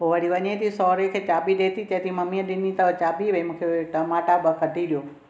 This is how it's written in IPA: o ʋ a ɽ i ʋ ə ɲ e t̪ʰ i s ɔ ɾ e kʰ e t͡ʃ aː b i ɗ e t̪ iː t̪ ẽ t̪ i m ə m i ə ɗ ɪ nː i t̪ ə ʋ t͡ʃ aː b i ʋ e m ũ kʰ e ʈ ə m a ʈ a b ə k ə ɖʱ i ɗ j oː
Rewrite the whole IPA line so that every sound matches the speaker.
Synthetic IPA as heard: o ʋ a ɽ i ʋ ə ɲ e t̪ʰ i s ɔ ɾ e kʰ e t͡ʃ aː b i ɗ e t̪ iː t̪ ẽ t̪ i m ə m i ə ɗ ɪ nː i t̪ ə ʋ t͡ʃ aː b i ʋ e m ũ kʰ e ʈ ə m a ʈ a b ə k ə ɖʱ i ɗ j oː